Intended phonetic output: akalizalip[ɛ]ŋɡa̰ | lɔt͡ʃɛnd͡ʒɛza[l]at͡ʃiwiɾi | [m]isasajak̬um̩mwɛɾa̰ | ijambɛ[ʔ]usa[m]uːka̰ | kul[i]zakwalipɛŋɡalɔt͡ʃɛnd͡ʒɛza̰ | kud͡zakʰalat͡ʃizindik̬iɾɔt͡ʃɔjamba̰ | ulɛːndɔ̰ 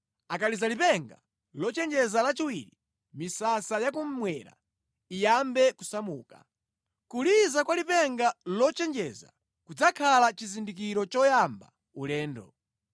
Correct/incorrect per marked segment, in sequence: correct, correct, correct, incorrect, correct, correct

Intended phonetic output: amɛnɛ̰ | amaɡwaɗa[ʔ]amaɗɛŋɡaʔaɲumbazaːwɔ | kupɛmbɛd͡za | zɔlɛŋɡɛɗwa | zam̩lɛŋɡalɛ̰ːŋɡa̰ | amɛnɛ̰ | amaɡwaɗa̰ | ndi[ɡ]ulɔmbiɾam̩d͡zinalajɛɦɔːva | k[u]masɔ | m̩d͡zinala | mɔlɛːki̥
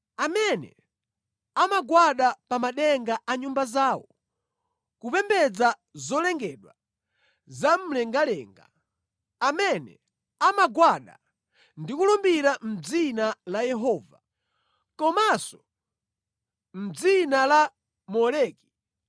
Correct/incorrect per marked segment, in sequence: incorrect, incorrect, incorrect

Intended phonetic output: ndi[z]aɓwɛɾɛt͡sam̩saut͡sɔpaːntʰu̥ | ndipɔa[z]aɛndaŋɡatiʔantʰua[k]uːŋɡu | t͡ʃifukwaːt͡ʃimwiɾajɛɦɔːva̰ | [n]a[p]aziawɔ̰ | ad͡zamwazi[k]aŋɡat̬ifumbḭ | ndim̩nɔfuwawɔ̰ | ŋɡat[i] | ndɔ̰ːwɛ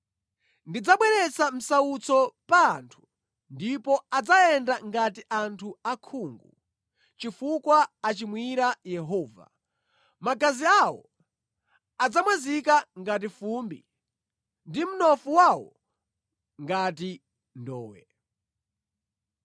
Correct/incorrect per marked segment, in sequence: incorrect, incorrect, incorrect, incorrect, incorrect, correct, correct

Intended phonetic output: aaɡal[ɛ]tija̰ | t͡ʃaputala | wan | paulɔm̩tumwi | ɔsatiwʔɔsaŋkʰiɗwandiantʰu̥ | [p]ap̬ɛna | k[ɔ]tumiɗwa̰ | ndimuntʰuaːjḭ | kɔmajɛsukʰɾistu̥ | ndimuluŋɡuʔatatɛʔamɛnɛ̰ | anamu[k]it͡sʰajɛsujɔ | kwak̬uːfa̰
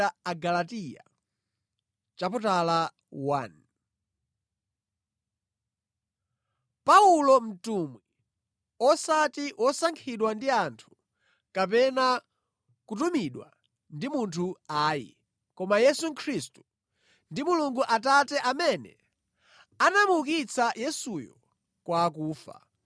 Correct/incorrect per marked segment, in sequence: incorrect, incorrect, incorrect, correct

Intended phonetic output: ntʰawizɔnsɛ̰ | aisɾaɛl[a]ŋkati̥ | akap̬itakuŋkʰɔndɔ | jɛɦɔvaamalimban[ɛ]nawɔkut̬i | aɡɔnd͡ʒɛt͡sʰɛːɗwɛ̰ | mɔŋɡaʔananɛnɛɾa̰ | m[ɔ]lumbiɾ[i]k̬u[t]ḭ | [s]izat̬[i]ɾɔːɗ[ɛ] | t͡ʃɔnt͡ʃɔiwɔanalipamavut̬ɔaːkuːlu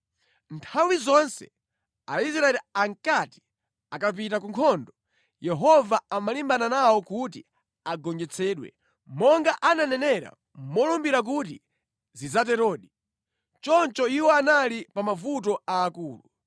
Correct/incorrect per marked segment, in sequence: correct, incorrect, correct, incorrect, correct, incorrect, incorrect, incorrect

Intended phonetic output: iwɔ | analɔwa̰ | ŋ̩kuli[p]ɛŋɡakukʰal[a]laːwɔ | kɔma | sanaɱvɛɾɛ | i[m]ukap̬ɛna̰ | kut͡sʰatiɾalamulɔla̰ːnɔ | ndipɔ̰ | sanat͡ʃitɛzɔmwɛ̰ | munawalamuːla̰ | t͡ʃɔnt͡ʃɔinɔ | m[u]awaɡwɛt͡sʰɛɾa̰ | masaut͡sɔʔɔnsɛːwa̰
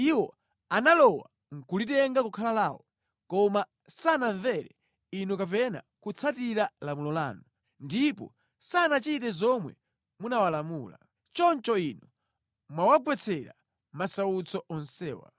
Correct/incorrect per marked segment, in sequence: incorrect, correct, incorrect, incorrect

